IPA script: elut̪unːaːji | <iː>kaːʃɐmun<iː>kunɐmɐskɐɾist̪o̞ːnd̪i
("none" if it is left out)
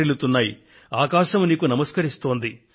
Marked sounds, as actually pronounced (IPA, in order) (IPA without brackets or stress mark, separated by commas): aː, iː